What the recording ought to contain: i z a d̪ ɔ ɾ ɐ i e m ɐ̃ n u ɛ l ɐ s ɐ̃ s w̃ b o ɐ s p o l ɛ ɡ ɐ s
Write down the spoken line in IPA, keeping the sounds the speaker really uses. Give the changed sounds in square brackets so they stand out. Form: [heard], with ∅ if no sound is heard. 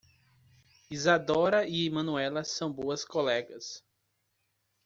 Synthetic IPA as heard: i z a d̪ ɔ ɾ ɐ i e m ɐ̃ n u ɛ l ɐ s ɐ̃ [∅] w̃ b o ɐ s [k] o l ɛ ɡ ɐ s